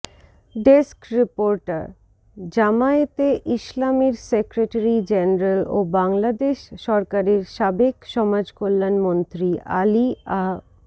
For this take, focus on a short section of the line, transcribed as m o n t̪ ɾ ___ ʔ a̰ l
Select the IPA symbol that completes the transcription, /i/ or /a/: i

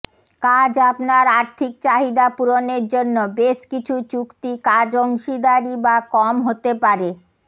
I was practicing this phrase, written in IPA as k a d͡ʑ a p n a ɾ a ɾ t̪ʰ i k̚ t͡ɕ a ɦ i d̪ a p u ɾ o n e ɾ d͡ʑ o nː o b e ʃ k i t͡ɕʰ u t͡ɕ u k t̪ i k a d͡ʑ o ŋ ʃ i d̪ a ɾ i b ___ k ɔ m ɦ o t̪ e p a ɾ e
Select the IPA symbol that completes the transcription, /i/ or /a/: a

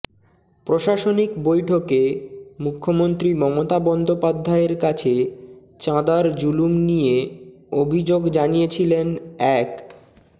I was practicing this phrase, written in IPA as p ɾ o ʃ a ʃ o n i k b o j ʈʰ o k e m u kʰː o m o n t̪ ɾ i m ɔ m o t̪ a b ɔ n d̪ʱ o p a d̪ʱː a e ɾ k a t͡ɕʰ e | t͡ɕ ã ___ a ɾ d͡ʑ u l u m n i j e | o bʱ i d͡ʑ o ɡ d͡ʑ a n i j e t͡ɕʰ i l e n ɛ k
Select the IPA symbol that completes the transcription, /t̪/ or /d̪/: d̪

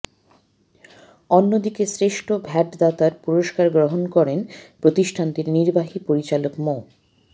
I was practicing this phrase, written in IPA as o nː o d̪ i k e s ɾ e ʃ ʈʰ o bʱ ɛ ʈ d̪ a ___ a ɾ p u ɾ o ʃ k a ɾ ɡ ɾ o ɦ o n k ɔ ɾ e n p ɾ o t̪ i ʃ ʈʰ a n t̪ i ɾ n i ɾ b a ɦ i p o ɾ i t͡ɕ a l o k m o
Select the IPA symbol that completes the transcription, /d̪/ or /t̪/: t̪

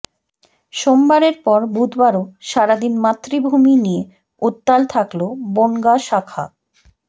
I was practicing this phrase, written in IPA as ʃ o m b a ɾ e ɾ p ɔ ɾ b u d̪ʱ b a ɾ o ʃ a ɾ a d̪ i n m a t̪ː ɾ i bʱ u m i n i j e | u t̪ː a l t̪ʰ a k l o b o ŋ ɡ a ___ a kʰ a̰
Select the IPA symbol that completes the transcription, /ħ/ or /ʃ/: ʃ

